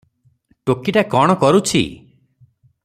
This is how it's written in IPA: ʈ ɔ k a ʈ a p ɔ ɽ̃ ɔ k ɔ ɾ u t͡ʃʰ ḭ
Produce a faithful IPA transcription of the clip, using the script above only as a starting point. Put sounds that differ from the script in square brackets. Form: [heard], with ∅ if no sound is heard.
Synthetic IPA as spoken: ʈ [o] k [i] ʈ a [k] ɔ ɽ̃ ɔ k ɔ ɾ u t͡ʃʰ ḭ